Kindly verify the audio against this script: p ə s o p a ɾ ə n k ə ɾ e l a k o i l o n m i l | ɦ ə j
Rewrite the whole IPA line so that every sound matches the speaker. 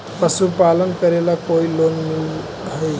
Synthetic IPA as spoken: p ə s u p a l ə n k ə ɾ e l a k o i l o n m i l | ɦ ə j